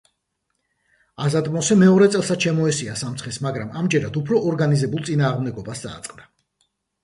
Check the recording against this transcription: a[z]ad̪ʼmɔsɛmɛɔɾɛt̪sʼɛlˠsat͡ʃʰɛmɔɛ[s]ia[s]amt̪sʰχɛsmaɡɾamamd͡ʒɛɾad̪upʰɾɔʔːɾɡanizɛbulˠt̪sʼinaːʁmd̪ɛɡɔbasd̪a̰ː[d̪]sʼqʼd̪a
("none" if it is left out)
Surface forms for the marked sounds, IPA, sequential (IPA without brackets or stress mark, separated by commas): z, s, s, t̪